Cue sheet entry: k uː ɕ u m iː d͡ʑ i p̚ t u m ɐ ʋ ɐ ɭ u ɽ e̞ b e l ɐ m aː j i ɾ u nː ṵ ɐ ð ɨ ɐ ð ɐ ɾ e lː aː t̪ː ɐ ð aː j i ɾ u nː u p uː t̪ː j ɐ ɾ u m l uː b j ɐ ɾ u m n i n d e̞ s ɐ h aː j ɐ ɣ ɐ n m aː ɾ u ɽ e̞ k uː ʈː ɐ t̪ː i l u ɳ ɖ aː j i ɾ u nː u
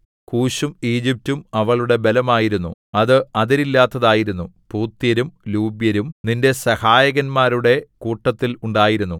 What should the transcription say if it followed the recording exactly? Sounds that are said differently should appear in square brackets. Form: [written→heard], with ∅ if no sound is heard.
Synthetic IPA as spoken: k uː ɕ u m iː d͡ʑ i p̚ t u m ɐ ʋ ɐ ɭ u ɽ e̞ b e l ɐ m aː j i ɾ u nː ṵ ɐ ð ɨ ɐ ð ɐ ɾ [e→i] lː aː t̪ː ɐ ð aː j i ɾ u nː u p uː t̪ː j ɐ ɾ u m l uː b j ɐ ɾ u m n i n d e̞ s ɐ h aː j ɐ ɣ ɐ n m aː ɾ u ɽ e̞ k uː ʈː ɐ t̪ː i l u ɳ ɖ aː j i ɾ u nː u